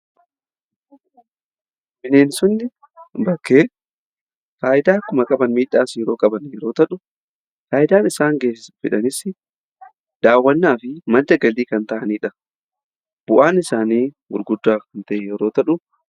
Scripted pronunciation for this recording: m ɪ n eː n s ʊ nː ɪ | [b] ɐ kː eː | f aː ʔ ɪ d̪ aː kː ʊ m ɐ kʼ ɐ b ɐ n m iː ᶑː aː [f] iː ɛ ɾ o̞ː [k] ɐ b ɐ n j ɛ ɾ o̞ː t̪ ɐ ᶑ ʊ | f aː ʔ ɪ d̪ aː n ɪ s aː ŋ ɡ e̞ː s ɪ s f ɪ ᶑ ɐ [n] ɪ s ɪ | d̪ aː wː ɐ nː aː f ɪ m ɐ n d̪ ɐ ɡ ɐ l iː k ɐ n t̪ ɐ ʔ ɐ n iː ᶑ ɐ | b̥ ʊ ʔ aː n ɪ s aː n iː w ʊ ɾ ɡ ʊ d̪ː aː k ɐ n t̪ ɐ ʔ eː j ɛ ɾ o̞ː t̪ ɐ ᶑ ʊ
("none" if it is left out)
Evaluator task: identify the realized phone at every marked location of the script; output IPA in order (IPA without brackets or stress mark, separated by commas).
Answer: b, s, kʼ, n